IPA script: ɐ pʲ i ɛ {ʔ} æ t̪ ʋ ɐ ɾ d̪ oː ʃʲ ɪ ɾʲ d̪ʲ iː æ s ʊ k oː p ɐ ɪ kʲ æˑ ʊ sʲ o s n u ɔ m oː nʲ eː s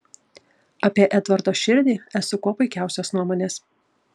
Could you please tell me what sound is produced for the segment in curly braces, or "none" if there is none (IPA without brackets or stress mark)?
ʔ